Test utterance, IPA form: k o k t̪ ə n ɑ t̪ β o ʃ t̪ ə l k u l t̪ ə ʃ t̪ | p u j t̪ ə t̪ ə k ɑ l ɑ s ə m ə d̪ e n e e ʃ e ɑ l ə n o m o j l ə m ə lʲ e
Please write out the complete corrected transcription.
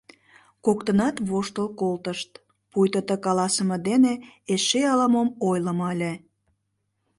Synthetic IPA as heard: k o k t̪ ə n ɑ t̪ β o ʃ t̪ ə l k o l t̪ ə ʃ t̪ | p u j t̪ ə t̪ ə k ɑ l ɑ s ə m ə d̪ e n e e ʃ e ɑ l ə m o m o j l ə m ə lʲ e